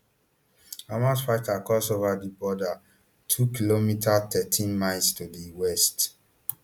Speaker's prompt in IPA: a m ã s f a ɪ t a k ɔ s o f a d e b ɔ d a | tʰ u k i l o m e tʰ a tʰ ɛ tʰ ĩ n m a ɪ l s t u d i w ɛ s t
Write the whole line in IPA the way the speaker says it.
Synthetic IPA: a m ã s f a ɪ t a k ɔ s o v a d i b ɔ d a | tʰ u k i l o m i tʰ a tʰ ɛ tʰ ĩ n m a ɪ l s t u d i w ɛ s t